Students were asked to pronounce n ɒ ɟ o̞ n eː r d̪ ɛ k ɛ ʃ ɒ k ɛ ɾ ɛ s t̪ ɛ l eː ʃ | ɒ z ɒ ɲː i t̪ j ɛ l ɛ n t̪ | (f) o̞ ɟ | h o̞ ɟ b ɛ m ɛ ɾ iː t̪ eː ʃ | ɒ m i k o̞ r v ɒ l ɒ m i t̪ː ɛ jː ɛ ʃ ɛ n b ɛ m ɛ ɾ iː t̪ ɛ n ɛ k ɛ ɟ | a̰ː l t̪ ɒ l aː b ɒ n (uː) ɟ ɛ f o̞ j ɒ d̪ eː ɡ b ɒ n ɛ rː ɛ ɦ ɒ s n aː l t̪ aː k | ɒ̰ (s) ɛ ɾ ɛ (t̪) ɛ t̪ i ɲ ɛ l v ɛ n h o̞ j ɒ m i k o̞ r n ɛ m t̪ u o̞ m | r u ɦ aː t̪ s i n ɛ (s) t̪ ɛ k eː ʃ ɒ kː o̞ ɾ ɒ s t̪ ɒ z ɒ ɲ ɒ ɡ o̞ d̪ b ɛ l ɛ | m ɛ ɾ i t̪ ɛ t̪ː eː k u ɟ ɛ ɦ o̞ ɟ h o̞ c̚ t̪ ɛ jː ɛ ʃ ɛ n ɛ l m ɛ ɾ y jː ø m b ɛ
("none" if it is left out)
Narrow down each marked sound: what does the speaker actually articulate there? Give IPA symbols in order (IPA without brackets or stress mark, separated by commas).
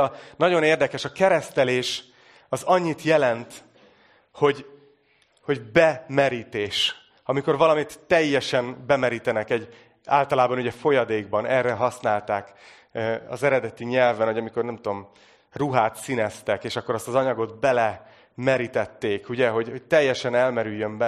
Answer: h, u, z, d̪, s